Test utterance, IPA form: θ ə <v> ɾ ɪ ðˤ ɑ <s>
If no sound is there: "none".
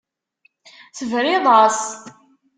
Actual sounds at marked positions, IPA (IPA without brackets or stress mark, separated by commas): v, s